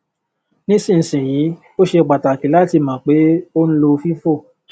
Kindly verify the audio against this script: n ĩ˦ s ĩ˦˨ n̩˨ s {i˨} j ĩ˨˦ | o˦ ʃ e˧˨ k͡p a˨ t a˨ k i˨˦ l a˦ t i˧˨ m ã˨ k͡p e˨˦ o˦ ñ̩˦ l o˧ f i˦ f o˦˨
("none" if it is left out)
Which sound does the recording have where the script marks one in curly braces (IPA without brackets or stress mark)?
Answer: ĩ˨